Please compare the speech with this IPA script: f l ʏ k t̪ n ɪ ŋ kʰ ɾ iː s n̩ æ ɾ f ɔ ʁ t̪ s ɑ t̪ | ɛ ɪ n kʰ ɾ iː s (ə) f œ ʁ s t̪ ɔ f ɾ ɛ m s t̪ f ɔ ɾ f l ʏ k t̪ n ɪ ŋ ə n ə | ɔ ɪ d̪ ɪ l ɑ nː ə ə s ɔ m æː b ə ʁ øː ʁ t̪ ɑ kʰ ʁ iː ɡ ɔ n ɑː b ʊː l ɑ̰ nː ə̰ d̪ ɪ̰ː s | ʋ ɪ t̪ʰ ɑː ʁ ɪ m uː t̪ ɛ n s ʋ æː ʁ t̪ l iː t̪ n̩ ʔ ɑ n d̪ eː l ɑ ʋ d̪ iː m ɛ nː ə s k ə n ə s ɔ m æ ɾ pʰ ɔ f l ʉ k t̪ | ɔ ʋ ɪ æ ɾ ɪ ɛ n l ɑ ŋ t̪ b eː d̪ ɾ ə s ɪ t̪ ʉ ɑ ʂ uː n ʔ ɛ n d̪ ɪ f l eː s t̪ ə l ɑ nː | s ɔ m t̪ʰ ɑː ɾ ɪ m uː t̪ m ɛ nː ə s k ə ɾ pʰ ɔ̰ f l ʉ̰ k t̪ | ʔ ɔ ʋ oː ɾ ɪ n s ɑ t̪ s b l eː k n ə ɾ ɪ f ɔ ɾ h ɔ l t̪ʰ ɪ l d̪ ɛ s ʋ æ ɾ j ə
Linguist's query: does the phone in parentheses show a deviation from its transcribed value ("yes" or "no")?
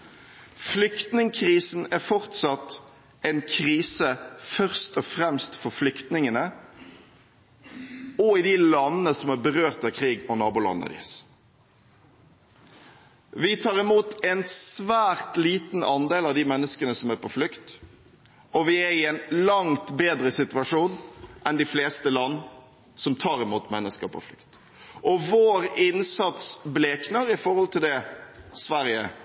no